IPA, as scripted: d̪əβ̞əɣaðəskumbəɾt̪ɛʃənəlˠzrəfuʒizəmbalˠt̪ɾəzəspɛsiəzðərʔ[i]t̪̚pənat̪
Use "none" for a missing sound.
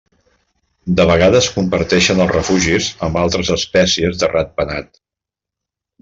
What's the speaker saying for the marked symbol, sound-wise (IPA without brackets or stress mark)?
a